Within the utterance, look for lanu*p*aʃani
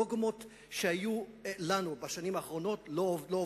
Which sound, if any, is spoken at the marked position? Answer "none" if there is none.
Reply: b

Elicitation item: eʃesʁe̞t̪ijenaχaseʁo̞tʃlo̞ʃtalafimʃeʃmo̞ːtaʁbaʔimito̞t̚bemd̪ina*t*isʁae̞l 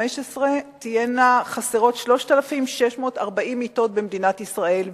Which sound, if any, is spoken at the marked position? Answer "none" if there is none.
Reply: t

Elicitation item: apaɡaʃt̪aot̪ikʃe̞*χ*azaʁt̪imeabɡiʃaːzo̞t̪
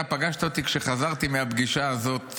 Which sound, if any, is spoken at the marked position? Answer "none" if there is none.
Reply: χ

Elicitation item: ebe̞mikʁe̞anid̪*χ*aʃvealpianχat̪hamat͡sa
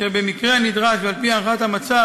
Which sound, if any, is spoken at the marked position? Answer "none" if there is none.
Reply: ʁ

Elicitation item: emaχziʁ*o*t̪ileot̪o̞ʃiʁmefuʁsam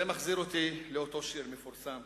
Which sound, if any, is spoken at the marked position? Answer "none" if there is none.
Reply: o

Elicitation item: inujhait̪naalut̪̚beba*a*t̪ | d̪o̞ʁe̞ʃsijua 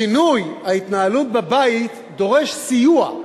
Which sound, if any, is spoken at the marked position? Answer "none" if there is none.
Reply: i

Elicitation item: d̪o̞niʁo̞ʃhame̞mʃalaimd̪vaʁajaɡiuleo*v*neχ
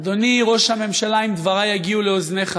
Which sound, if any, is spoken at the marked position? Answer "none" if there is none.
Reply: z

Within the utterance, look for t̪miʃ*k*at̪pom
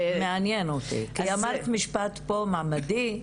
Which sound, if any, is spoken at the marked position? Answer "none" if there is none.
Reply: p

